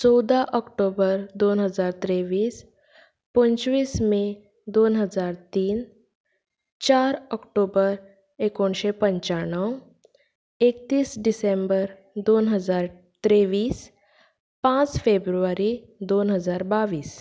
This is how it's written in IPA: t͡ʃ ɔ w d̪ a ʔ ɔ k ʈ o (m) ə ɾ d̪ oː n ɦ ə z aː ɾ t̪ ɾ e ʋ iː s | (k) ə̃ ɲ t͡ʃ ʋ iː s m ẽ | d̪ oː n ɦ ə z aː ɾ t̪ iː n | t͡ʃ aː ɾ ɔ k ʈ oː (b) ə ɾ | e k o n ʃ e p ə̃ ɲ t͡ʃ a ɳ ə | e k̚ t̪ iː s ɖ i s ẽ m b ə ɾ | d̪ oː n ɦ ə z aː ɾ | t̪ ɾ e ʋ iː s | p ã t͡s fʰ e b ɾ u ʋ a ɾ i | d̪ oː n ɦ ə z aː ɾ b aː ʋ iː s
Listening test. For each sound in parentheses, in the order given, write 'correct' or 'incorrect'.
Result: incorrect: b, incorrect: p, correct

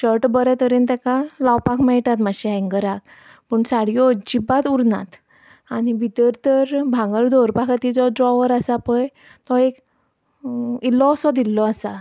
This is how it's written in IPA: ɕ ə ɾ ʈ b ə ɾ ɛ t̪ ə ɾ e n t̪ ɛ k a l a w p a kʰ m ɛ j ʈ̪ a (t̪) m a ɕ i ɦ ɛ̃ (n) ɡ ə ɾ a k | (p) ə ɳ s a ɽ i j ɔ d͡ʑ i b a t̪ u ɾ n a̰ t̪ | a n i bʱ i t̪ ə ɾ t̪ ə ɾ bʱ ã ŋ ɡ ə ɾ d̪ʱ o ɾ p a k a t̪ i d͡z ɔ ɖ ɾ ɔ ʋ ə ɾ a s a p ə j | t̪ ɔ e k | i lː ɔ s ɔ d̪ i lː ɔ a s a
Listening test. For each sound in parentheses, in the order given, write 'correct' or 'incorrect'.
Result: correct, incorrect: ŋ, correct

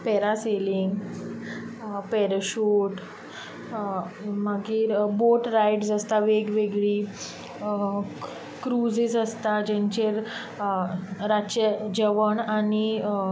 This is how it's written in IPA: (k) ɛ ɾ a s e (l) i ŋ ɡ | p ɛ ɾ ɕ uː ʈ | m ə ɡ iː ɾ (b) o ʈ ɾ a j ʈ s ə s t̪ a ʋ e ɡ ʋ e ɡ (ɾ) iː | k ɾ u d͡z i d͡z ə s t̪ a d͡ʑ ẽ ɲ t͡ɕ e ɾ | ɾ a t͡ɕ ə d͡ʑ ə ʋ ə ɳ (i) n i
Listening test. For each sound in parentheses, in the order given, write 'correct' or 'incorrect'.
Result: incorrect: p, correct, correct, incorrect: ɭ, incorrect: a

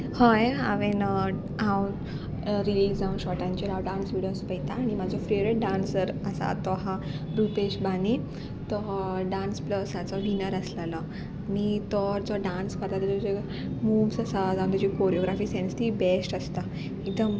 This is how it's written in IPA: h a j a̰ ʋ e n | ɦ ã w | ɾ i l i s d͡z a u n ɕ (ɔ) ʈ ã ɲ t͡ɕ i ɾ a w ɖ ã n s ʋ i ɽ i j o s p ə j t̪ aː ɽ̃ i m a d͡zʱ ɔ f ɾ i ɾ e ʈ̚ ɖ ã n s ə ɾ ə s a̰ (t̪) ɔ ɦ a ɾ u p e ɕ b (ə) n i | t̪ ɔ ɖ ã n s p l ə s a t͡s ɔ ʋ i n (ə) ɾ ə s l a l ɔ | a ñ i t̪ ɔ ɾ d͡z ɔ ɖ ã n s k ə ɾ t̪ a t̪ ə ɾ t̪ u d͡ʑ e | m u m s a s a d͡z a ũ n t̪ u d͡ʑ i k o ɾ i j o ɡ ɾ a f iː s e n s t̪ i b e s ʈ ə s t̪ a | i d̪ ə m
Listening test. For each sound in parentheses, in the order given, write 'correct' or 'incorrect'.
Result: correct, correct, incorrect: a, correct

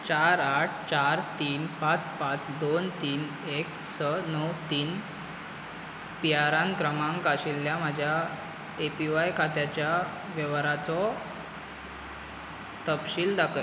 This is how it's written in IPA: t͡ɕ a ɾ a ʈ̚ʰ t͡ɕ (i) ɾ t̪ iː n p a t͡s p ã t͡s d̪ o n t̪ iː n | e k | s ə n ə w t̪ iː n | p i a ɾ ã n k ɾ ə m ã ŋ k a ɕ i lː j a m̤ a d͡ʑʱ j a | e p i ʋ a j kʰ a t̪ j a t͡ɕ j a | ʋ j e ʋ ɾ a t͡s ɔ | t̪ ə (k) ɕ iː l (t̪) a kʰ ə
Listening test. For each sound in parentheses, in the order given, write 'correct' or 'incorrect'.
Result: incorrect: a, incorrect: p, incorrect: d̪

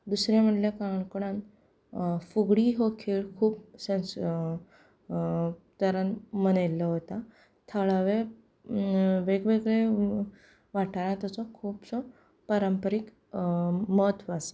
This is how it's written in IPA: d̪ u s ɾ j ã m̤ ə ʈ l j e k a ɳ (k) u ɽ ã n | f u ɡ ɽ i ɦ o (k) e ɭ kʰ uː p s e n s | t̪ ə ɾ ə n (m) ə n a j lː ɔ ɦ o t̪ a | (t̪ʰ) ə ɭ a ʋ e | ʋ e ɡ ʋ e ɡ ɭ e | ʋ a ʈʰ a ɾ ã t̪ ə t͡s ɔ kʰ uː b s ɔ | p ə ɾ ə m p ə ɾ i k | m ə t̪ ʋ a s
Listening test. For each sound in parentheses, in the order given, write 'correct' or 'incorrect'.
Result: correct, incorrect: kʰ, correct, correct

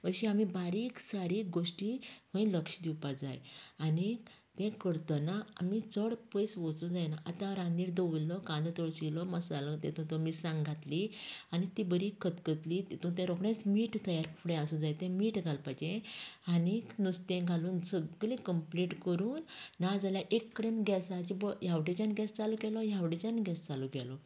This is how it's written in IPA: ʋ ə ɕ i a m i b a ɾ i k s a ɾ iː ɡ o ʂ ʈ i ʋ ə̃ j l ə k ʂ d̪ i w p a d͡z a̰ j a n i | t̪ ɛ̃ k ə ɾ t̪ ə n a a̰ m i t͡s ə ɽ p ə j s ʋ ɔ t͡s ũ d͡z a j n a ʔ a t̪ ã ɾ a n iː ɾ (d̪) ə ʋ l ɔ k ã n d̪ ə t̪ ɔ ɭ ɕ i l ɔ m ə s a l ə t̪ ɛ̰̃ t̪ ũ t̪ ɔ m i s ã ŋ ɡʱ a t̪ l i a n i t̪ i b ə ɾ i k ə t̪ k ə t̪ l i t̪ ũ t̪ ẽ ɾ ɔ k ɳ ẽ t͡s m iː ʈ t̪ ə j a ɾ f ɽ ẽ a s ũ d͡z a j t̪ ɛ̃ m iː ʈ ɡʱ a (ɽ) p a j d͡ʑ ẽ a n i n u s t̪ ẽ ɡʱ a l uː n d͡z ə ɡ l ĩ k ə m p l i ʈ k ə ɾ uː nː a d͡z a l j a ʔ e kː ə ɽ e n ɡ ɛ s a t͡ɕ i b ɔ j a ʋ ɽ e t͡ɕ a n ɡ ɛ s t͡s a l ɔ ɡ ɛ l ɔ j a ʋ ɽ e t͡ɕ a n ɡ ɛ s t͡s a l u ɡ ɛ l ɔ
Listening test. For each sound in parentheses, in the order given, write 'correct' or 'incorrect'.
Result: correct, incorrect: l

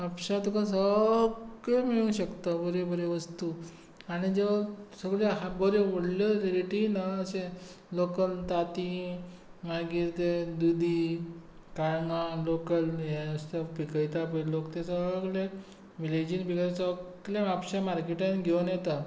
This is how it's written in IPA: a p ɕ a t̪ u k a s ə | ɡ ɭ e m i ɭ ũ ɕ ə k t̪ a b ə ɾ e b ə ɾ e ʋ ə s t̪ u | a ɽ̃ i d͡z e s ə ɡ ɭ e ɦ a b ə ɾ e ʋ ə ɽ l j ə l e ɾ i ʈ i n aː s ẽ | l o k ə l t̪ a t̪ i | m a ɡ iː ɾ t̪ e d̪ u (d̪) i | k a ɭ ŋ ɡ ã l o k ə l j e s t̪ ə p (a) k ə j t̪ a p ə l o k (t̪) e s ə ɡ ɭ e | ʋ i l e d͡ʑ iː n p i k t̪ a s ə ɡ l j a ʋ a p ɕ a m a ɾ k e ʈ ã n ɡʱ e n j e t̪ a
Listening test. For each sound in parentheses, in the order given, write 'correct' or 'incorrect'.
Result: correct, incorrect: i, correct

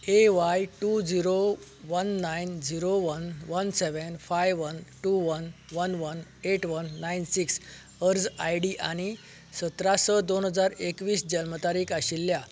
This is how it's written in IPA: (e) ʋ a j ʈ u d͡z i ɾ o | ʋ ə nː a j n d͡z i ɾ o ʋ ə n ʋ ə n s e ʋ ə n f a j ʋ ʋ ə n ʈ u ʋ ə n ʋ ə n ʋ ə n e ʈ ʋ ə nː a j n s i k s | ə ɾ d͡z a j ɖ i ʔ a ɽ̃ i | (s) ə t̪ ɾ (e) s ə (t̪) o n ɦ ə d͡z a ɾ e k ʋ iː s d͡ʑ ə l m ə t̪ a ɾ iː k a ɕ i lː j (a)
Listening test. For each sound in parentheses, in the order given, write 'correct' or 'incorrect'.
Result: correct, correct, incorrect: a, incorrect: d̪, correct

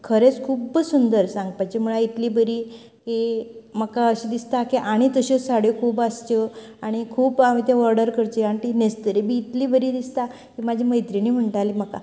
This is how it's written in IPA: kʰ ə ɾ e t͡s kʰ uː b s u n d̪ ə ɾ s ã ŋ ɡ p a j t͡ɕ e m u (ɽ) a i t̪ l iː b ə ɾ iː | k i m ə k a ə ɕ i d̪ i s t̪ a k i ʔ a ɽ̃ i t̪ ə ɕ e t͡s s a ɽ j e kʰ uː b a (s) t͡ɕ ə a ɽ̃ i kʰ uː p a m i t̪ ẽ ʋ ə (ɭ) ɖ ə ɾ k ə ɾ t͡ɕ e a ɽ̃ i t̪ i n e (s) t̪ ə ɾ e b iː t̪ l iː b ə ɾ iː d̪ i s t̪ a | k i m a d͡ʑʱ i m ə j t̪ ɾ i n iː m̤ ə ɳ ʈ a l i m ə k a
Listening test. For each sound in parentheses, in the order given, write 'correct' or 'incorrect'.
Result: incorrect: ɭ, correct, incorrect: ɾ, correct

